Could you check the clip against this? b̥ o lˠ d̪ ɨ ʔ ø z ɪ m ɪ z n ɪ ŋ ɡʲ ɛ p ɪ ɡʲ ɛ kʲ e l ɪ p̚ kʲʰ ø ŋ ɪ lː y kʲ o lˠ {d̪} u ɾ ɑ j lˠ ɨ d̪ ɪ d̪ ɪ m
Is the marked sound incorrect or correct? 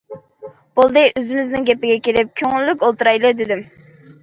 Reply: incorrect: t̪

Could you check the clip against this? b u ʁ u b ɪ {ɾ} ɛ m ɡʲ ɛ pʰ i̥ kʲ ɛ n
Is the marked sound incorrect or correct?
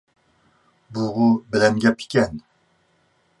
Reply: incorrect: l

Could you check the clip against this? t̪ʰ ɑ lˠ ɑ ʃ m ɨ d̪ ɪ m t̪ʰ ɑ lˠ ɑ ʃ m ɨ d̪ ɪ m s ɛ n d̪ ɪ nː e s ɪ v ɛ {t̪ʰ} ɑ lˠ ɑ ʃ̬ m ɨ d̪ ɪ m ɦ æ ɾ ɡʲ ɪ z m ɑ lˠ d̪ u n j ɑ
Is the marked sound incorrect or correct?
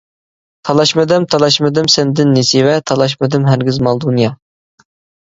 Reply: correct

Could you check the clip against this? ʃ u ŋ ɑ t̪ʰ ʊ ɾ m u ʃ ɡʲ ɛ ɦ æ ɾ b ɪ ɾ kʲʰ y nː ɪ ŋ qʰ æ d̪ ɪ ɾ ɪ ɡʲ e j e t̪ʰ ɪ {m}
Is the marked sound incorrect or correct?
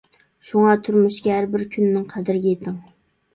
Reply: incorrect: ŋ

